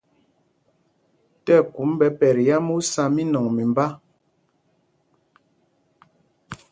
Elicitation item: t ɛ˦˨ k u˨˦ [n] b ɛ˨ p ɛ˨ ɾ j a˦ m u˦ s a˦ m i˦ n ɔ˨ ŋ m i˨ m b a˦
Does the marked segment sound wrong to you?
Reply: yes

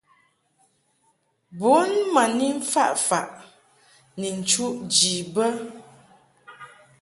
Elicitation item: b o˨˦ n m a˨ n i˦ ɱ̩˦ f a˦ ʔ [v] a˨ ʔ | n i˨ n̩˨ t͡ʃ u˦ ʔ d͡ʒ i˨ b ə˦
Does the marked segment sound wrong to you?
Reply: yes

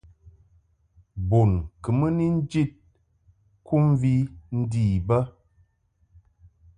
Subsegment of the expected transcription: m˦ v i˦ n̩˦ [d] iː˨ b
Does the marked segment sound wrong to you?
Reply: no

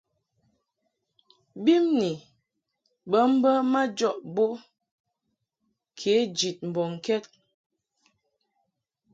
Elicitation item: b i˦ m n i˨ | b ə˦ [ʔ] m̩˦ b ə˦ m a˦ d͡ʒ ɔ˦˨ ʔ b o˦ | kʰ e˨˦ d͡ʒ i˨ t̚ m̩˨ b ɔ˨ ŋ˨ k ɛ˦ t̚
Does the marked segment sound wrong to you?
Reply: yes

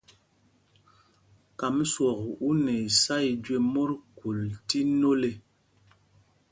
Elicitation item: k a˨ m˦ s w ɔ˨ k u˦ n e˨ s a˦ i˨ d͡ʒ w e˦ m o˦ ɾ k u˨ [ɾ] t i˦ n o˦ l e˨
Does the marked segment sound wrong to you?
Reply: yes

